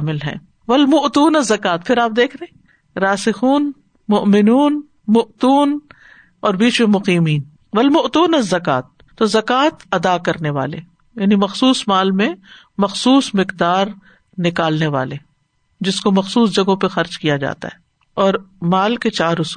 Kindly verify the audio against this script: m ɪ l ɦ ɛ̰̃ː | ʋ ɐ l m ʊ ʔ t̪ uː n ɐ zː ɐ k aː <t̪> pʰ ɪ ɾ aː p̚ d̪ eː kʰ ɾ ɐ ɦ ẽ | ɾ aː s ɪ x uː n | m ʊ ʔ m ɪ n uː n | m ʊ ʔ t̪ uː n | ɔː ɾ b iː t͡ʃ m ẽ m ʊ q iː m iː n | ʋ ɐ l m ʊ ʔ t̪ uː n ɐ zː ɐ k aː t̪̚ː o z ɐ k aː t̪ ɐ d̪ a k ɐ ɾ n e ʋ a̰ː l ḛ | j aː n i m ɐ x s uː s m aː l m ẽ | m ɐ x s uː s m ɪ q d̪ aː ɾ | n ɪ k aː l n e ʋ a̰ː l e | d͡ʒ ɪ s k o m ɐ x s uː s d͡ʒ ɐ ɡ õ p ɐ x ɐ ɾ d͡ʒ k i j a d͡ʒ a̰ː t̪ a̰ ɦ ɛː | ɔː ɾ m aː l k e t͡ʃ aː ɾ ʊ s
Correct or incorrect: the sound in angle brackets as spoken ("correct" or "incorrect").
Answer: correct